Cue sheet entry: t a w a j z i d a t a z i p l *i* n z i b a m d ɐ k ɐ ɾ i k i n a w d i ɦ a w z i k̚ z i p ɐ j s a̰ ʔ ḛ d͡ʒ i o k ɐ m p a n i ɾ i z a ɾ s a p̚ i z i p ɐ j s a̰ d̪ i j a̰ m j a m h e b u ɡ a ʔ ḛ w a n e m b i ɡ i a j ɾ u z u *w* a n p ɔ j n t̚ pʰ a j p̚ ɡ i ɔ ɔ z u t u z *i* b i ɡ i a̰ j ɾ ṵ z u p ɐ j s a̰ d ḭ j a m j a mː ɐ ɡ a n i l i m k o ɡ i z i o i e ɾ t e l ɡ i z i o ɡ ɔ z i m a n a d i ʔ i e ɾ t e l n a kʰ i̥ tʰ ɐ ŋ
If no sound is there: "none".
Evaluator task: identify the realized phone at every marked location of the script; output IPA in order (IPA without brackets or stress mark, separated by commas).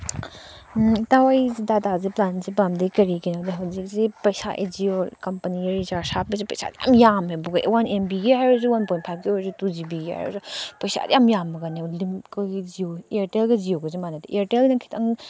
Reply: a, w, i